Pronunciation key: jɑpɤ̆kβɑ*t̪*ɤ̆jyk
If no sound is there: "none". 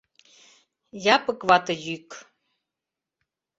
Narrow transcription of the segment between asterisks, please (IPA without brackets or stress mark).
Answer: t̪